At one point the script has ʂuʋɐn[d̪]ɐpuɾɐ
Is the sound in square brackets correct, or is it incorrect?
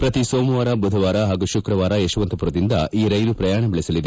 incorrect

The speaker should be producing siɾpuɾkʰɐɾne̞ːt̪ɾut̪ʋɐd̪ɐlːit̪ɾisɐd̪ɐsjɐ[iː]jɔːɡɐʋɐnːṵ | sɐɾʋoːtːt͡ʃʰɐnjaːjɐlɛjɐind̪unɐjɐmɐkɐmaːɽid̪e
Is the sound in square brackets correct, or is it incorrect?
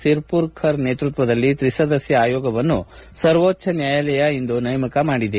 incorrect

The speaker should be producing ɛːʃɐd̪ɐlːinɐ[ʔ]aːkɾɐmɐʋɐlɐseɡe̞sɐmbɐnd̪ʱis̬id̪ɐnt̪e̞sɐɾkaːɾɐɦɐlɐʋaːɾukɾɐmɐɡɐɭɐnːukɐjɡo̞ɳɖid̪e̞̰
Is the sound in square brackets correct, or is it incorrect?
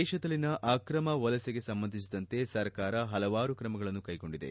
correct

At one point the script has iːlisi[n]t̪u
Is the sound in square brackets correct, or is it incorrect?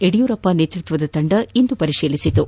incorrect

